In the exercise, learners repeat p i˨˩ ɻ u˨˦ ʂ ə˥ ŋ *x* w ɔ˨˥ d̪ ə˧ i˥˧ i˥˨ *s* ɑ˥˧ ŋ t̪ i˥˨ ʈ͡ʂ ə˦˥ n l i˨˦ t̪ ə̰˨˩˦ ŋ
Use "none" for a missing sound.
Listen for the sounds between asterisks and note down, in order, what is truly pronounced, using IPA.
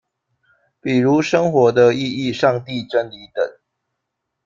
x, ʂ

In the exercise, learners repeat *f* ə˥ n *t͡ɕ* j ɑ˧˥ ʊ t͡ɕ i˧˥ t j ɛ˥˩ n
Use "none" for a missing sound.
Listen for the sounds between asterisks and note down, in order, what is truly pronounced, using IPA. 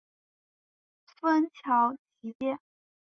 f, t͡ɕʰ

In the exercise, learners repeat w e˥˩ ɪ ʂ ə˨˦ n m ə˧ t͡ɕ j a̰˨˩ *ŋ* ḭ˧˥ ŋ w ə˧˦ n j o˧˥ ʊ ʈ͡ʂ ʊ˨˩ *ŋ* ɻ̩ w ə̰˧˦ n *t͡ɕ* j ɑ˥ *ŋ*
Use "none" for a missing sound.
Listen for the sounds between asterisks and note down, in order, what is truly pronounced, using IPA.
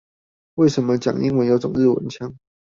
ŋ, ŋ, t͡ɕʰ, ŋ

